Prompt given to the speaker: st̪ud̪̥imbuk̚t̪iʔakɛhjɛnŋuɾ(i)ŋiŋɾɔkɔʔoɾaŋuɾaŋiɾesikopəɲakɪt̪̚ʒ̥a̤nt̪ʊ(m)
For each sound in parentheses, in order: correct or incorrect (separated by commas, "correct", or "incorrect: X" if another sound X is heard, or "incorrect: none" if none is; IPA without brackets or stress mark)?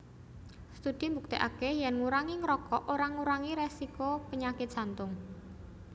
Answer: incorrect: a, incorrect: ŋ